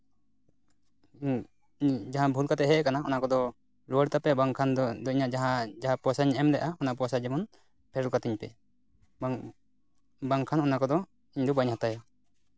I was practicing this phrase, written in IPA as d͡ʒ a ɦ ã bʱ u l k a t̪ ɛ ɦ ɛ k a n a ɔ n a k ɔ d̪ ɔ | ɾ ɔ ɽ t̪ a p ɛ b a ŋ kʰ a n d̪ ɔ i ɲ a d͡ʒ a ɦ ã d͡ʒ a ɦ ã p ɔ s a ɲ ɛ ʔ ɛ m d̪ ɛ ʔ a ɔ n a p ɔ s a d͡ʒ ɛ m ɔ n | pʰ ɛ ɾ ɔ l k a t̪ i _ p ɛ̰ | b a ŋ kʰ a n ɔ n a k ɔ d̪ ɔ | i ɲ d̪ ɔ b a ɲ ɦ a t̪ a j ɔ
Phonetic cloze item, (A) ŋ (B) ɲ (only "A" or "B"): B